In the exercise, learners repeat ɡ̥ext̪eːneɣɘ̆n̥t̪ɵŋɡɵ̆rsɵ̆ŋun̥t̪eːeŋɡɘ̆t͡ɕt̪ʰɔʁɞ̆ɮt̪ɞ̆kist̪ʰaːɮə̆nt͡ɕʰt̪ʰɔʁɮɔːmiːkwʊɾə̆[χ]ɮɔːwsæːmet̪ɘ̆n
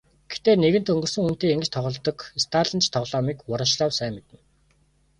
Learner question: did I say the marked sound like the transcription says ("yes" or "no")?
no